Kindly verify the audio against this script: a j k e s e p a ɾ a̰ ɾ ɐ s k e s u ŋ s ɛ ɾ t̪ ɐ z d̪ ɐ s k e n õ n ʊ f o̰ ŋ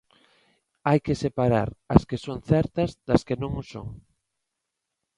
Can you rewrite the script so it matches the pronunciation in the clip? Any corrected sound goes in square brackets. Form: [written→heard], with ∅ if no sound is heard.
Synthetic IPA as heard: a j k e s e p a ɾ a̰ ɾ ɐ s k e s [u→o] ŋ [s→θ] ɛ ɾ t̪ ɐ z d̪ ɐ s k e n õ [n→ŋ] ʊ [f→s] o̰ ŋ